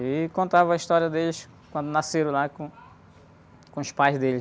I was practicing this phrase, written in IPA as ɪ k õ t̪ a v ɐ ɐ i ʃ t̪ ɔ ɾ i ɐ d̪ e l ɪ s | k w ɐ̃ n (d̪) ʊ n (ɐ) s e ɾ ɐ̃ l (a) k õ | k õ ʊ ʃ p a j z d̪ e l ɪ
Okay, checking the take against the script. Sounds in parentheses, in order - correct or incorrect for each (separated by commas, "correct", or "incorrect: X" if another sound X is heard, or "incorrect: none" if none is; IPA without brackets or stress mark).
correct, incorrect: a, correct